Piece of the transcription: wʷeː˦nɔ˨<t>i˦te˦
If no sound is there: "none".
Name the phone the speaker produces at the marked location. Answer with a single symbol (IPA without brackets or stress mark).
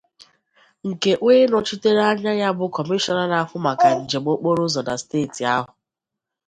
t͡ʃ